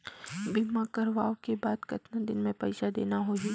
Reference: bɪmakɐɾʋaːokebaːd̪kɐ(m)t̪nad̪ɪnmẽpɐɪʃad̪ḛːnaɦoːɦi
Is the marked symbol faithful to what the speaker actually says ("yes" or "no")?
no